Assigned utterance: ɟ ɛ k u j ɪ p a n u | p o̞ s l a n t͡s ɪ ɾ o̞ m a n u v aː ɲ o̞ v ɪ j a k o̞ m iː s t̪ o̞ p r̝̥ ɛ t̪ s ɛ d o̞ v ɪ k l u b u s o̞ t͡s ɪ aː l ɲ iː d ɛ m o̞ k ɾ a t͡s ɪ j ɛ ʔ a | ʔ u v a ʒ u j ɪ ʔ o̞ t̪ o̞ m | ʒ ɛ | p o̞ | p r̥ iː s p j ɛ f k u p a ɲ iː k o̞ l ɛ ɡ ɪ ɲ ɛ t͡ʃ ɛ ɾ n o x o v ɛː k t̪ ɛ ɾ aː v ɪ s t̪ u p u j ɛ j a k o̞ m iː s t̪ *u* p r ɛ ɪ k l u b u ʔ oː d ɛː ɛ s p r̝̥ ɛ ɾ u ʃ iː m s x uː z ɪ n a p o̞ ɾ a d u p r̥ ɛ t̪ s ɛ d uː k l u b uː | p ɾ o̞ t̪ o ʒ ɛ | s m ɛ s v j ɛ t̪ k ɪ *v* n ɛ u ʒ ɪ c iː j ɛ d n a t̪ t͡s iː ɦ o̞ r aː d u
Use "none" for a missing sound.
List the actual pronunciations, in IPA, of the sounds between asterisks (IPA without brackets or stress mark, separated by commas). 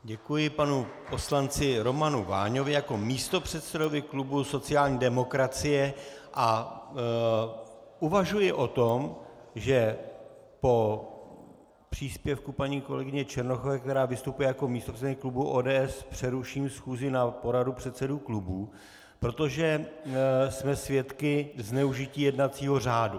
o, z